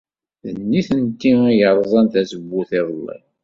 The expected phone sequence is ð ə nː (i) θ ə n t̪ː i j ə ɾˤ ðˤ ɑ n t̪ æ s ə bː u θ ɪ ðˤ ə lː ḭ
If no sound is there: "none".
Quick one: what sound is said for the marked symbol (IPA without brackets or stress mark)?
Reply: i